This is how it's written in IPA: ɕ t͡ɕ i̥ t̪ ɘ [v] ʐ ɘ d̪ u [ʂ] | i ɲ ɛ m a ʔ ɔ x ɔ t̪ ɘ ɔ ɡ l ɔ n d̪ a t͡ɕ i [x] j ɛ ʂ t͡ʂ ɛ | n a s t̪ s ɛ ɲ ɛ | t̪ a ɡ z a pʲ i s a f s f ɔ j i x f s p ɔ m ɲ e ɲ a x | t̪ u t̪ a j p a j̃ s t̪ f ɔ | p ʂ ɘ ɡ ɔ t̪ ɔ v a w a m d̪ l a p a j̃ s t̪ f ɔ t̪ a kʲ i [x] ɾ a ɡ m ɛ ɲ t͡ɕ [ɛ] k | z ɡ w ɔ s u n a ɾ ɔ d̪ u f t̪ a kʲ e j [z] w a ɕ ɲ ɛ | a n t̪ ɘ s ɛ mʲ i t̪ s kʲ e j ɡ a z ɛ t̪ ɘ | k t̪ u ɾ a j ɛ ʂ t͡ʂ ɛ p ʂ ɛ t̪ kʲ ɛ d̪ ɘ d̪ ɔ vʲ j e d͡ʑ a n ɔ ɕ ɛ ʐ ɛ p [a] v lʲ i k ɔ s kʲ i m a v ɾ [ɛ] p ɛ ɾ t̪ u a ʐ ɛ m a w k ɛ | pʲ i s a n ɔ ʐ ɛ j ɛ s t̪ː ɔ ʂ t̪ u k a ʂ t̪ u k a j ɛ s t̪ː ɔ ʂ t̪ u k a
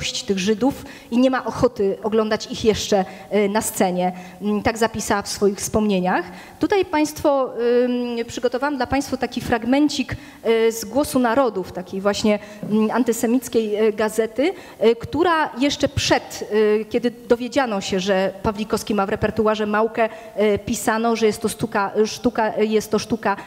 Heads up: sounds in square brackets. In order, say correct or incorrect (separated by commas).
incorrect, incorrect, correct, incorrect, incorrect, incorrect, correct, correct